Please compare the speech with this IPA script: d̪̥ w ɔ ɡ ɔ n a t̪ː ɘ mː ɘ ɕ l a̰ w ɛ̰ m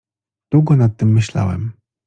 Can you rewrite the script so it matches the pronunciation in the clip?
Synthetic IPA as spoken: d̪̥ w u ɡ ɔ n a t̪ː ɘ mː ɘ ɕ l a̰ w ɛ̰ m